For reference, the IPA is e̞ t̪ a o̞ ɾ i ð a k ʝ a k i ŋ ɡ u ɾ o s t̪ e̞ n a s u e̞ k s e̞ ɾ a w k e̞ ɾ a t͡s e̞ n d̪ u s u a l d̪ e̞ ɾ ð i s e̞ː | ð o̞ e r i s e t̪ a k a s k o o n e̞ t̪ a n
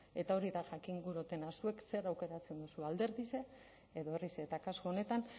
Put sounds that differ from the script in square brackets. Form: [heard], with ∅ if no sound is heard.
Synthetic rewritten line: e̞ t̪ a o̞ ɾ i ð a [∅] ʝ a k i ŋ ɡ u ɾ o [∅] t̪ e̞ n a s u e̞ k s e̞ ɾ a w k e̞ ɾ a t͡s e̞ n d̪ u s u a l d̪ e̞ ɾ ð i s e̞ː | ð o̞ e r i s e t̪ a k a s k o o n e̞ t̪ a n